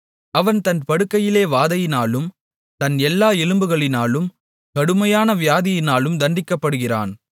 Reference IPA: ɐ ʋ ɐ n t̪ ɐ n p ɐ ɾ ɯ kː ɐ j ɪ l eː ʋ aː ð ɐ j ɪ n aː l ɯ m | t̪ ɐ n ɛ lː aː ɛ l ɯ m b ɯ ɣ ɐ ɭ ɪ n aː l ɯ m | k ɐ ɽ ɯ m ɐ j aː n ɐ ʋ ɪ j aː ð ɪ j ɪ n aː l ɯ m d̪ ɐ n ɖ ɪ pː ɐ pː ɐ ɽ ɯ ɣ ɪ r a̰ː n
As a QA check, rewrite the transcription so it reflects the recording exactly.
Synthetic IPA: ɐ ʋ ɐ n t̪ ɐ n p ɐ ɽ ɯ kː ɐ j ɪ l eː ʋ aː ð ɐ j ɪ n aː l ɯ m | t̪ ɐ n ɛ lː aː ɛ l ɯ m b ɯ ɣ ɐ ɭ ɪ n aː l ɯ m | k ɐ ɽ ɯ m ɐ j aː n ɐ ʋ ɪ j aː ð ɪ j ɪ n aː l ɯ m d̪ ɐ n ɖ ɪ kː ɐ pː ɐ ɽ ɯ ɣ ɪ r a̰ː n